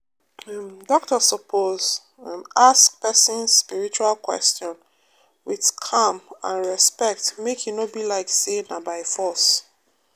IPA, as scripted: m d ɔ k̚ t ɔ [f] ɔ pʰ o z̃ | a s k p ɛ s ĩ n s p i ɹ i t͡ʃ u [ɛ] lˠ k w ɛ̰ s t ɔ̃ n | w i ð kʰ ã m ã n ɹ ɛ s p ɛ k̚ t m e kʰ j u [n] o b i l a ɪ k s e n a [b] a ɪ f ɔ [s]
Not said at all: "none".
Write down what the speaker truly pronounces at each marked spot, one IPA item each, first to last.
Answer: s, a, n, b, s

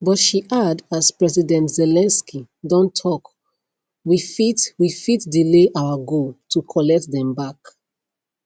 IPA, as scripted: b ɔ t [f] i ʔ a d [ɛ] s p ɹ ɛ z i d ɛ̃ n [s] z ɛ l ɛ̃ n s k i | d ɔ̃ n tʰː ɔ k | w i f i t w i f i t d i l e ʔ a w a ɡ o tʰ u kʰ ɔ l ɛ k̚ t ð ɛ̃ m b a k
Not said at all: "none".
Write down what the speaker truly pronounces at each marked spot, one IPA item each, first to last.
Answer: ʃ, a, t

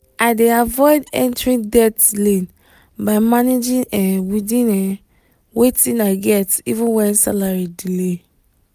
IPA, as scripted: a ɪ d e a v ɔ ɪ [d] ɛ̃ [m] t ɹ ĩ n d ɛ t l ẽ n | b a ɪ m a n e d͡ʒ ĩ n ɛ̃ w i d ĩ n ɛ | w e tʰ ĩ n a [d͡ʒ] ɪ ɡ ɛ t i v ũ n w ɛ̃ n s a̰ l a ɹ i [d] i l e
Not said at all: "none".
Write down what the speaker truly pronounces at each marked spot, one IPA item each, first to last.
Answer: d, n, none, d

